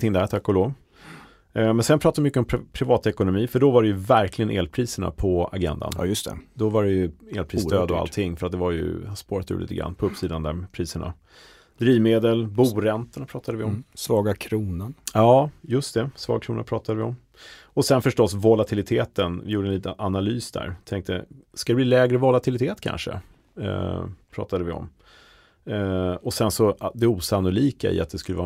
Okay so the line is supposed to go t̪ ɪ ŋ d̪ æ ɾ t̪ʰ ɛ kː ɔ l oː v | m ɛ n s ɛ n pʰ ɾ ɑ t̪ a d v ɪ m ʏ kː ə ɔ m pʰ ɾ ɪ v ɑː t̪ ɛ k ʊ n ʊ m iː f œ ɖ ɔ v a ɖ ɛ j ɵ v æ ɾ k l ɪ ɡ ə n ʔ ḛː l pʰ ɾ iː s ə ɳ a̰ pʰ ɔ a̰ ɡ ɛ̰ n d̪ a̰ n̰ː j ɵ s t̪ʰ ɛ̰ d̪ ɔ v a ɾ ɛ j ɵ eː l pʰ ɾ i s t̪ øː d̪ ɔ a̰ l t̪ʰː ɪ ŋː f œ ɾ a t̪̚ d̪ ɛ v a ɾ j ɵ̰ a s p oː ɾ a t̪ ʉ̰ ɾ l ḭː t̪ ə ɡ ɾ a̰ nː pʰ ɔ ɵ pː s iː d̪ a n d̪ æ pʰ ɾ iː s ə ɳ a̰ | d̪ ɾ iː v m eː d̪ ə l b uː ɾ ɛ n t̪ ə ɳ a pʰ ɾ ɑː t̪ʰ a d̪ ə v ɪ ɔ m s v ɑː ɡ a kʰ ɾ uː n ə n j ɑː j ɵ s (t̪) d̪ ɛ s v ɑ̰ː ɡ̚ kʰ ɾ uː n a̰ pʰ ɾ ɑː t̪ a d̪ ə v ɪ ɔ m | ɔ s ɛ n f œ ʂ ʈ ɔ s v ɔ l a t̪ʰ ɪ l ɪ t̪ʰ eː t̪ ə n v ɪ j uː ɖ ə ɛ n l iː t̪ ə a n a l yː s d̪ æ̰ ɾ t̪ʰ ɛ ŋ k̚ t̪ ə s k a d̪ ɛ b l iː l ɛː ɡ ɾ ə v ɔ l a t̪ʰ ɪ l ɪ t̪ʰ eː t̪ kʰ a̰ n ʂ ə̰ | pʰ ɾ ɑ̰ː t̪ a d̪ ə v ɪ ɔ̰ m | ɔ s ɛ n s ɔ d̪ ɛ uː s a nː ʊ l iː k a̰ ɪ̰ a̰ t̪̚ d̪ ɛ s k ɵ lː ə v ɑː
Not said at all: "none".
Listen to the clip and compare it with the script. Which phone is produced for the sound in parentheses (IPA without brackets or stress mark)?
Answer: t̪